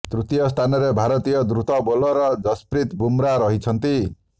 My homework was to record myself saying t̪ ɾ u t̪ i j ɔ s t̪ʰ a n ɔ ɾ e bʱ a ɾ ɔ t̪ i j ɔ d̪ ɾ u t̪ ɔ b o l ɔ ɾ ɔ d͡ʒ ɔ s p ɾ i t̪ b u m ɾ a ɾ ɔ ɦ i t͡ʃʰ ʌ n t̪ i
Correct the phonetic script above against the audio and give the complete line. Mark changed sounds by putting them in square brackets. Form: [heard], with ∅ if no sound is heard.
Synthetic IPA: t̪ ɾ u t̪ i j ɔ s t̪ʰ a n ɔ ɾ e bʱ a ɾ ɔ t̪ i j ɔ d̪ ɾ u t̪ ɔ b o l ɔ ɾ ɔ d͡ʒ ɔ s p ɾ i t̪ b u m ɾ a ɾ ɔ ɦ i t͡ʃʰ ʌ n t̪ i